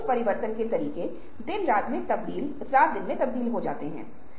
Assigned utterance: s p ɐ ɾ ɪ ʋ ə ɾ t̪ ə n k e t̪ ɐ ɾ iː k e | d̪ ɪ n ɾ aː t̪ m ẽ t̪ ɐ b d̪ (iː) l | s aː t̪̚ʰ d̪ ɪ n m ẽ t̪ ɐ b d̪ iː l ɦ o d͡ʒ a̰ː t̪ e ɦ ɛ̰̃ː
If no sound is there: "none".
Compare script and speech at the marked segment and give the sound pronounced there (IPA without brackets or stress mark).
iː